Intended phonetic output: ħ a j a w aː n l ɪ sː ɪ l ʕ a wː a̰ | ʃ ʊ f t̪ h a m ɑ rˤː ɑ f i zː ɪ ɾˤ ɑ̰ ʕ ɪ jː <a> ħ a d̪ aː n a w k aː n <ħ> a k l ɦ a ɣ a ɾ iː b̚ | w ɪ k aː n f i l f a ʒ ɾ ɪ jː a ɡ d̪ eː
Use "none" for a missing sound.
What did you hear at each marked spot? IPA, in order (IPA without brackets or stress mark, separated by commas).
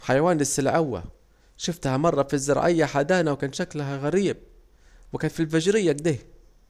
a, ʃ